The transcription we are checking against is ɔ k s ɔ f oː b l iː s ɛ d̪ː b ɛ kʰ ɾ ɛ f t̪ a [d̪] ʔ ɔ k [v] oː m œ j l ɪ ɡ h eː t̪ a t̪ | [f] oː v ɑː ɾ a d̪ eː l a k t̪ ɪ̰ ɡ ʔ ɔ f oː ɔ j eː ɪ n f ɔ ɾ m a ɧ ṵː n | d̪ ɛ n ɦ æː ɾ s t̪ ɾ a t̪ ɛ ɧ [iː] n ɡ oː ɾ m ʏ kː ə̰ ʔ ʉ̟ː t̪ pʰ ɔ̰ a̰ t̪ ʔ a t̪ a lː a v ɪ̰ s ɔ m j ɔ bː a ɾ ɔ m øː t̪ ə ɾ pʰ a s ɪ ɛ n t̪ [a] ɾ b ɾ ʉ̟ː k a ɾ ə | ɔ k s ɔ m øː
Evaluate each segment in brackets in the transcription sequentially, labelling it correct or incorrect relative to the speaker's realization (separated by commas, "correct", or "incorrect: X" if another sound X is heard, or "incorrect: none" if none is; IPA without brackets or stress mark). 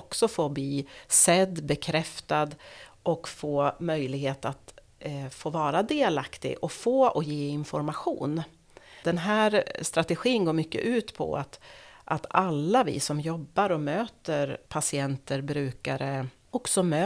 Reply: correct, incorrect: f, correct, correct, incorrect: ə